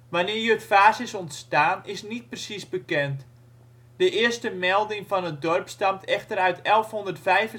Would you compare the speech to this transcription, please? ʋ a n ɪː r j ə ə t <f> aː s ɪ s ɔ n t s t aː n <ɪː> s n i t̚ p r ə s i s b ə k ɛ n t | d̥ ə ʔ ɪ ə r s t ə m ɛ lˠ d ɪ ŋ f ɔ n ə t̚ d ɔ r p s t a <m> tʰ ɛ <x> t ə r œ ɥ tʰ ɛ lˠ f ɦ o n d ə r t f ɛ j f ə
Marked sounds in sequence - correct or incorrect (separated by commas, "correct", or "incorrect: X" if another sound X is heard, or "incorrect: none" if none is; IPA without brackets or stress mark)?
correct, incorrect: ɪ, correct, correct